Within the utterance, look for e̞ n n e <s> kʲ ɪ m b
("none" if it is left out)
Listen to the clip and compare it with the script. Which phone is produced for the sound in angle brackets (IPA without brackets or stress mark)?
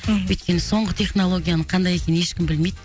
ʃ